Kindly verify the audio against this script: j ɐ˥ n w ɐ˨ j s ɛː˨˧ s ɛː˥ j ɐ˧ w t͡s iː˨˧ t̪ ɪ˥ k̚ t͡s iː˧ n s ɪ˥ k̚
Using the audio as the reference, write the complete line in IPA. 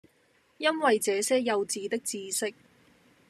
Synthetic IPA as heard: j ɐ˥ n w ɐ˨ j t͡s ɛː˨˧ s ɛː˥ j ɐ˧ w t͡s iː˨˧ t̪ ɪ˥ k̚ t͡s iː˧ s ɪ˥ k̚